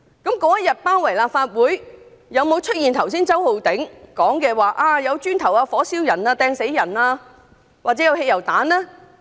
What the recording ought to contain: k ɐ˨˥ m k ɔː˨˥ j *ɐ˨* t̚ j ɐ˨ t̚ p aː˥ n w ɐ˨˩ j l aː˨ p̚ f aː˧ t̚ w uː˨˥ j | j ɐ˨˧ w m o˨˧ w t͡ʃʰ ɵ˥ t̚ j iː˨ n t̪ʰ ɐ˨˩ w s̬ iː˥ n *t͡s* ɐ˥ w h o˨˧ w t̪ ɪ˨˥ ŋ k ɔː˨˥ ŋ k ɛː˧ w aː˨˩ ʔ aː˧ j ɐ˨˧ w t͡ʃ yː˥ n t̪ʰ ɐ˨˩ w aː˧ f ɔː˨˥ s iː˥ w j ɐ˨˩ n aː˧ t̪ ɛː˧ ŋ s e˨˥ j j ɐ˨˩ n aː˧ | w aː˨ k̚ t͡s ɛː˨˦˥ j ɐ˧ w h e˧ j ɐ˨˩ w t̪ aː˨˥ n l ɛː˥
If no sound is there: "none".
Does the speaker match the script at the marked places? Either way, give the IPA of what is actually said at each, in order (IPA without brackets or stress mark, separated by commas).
ɐ˥, t͡s